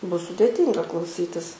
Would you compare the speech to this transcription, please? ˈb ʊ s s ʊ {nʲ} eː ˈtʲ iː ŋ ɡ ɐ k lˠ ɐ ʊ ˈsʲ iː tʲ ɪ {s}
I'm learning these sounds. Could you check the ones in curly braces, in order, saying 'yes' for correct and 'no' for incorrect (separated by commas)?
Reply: no, yes